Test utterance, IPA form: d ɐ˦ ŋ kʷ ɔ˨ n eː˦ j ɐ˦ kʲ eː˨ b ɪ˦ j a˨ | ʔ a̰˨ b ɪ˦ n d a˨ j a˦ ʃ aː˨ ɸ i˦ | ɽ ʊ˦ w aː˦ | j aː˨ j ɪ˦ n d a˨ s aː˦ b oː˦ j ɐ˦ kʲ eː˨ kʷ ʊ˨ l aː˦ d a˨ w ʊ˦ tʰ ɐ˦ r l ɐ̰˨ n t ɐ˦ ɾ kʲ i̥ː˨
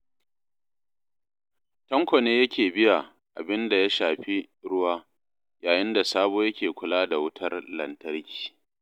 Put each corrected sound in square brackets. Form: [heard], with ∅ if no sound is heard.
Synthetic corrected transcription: [t] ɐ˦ ŋ kʷ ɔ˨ n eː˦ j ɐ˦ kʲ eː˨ b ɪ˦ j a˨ | ʔ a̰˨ b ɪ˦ n d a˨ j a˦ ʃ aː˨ ɸ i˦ | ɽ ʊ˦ w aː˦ | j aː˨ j ɪ˦ n d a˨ s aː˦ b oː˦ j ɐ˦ kʲ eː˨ kʷ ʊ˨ l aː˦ d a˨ w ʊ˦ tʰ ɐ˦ r l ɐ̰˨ n t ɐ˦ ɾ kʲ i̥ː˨